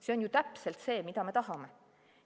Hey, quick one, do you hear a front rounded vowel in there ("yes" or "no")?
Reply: no